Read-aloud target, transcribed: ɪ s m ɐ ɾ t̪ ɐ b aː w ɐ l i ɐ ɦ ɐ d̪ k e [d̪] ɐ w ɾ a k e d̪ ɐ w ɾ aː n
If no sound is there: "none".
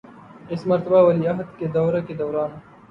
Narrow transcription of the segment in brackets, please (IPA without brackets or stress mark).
d̪